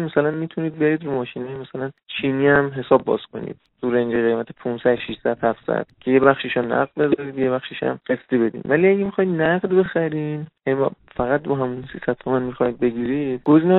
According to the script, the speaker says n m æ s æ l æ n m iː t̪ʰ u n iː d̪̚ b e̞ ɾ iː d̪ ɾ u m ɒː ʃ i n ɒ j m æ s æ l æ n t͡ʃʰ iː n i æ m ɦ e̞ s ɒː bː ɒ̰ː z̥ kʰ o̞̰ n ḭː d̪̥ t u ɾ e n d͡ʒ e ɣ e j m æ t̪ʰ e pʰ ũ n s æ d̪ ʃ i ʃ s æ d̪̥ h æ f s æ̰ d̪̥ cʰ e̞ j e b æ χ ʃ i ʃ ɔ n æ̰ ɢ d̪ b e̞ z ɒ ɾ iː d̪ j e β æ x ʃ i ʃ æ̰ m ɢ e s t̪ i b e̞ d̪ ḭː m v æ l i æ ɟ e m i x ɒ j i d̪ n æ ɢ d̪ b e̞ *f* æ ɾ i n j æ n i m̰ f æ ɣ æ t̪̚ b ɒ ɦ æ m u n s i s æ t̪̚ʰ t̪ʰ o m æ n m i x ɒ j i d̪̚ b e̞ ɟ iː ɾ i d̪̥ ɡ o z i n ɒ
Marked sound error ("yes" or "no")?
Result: yes